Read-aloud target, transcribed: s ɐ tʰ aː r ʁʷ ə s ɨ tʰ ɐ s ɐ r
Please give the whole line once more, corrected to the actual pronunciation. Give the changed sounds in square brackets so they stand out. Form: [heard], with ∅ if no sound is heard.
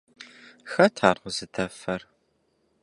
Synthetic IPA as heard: [x] ɐ tʰ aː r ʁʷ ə [z] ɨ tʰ ɐ [f] ɐ r